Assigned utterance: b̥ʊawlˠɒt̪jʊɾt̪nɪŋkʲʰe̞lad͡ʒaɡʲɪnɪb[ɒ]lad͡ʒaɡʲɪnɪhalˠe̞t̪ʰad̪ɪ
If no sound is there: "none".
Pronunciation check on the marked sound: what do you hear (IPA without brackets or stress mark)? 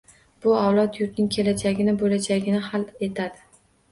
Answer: o